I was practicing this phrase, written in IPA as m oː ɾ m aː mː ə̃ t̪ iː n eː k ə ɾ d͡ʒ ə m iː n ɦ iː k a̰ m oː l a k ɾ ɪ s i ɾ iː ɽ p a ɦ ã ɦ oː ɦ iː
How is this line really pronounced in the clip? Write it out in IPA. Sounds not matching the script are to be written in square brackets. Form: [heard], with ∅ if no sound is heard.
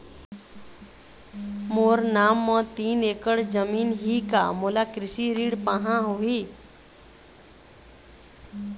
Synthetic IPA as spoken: m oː ɾ [n] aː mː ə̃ t̪ iː n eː k ə [ɽ] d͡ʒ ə m iː n ɦ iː k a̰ m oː l a k ɾ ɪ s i ɾ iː ɽ p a ɦ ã ɦ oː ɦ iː

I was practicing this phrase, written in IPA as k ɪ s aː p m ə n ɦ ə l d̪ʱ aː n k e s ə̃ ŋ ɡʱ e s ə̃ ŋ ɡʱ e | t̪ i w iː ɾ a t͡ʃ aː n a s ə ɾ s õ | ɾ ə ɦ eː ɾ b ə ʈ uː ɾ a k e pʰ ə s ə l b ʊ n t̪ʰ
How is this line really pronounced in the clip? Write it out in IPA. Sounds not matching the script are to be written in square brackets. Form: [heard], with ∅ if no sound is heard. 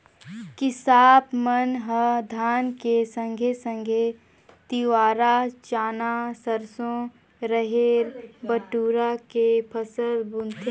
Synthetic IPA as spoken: k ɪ s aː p m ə n ɦ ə [∅] d̪ʱ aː n k e s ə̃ ŋ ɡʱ e s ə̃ ŋ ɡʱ e | t̪ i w [aː] ɾ a t͡ʃ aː n a s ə ɾ s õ | ɾ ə ɦ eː ɾ b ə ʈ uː ɾ a k e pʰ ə s ə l b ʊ n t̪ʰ

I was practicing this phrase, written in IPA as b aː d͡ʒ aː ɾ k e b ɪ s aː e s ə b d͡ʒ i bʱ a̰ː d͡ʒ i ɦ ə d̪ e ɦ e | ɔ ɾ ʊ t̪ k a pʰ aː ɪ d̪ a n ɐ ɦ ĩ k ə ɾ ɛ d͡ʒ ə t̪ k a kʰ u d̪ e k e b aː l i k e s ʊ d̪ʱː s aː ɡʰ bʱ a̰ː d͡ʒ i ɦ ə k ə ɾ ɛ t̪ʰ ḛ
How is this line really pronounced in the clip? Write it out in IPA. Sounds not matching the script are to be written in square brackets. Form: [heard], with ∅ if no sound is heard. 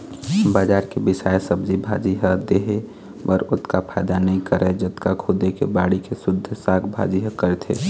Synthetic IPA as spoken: b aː d͡ʒ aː ɾ k e b ɪ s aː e s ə b d͡ʒ i bʱ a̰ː d͡ʒ i ɦ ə d̪ e ɦ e | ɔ ɾ ʊ t̪ k a pʰ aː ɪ d̪ a n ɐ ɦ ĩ k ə ɾ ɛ d͡ʒ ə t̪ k a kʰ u d̪ e k e b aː [ɽ] i k e s ʊ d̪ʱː s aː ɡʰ bʱ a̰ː d͡ʒ i ɦ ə k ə ɾ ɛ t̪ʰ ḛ

